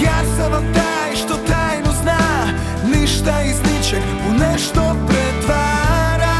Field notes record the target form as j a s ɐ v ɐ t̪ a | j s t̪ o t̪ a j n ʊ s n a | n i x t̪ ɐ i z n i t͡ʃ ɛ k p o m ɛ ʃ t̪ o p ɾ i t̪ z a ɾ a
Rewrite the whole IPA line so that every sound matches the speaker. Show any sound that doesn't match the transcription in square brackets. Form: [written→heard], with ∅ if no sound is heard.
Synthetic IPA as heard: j a s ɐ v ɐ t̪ a | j [s→ʃ] t̪ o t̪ a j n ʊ [s→z] n a | n i [x→ʃ] t̪ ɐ i z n i t͡ʃ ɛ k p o [m→n] ɛ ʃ t̪ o p ɾ [i→ɛ] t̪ [z→v] a ɾ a